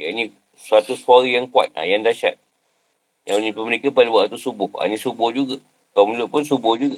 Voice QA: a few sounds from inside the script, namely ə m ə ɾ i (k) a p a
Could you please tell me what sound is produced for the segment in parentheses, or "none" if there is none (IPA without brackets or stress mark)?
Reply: k